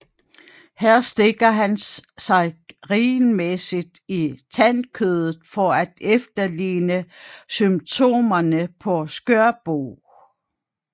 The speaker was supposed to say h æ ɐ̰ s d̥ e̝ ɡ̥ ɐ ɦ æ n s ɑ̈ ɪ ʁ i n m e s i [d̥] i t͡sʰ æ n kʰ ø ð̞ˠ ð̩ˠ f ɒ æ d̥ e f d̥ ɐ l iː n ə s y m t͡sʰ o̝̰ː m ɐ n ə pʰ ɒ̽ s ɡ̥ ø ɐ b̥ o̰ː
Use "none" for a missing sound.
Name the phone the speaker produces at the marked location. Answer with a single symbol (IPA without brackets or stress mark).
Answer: d̥